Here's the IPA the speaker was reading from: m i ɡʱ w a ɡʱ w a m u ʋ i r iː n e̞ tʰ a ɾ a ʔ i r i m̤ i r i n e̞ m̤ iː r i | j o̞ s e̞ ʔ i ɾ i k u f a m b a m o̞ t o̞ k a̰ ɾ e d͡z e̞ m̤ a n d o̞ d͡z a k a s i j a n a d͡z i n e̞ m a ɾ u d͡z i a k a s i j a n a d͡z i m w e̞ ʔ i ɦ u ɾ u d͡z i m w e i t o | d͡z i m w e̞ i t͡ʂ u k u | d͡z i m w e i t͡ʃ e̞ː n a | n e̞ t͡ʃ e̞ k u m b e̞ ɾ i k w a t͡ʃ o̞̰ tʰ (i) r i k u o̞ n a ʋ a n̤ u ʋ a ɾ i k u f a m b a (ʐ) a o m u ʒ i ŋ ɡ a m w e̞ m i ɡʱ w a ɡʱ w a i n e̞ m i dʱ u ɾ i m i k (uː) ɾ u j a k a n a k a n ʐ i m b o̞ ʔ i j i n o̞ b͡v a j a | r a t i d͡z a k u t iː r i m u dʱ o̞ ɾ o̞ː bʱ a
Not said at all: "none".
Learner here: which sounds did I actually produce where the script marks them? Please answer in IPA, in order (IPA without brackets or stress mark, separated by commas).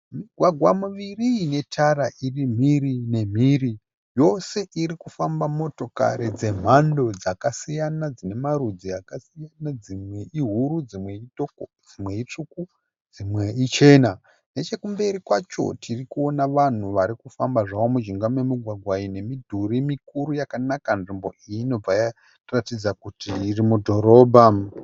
i, ʐ, u